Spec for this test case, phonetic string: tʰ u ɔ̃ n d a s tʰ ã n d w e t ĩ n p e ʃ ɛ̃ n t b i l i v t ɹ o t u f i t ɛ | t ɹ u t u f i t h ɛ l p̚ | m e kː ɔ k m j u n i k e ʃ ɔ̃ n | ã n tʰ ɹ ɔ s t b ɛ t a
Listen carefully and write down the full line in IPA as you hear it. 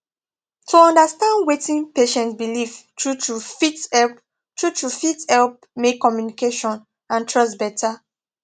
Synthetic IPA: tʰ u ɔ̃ n d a s t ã n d w e t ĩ n p e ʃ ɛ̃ n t b i l i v t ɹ u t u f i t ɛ | t ɹ u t u f i t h ɛ l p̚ | m e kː ɔ m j u n i k e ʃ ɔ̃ n | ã n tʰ ɹ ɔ s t b ɛ t a